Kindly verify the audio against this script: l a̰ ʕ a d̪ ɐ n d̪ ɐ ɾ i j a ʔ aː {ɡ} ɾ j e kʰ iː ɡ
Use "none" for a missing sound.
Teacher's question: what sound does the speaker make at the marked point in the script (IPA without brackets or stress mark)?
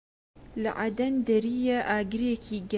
ɡ